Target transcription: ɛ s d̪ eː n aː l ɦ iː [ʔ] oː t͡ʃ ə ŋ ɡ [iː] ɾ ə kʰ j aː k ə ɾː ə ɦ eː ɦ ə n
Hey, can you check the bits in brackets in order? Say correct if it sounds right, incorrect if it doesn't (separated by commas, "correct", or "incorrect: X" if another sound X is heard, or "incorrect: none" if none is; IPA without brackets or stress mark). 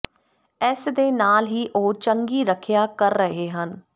correct, correct